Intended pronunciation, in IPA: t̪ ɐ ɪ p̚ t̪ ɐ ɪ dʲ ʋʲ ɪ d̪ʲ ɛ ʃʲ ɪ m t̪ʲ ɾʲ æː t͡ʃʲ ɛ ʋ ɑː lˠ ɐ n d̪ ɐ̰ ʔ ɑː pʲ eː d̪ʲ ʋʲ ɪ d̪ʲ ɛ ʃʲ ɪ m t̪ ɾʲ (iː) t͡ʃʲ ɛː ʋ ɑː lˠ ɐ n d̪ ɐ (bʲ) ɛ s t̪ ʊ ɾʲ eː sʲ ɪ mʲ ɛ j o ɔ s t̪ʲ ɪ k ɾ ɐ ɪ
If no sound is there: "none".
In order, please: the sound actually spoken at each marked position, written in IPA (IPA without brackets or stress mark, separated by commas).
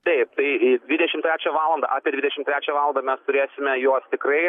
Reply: æː, mʲ